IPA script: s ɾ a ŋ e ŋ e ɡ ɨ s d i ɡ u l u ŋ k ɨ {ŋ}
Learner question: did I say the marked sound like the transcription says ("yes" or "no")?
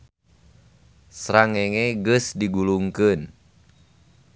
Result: no